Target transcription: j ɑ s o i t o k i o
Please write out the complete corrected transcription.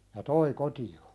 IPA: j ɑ t o i k o t i o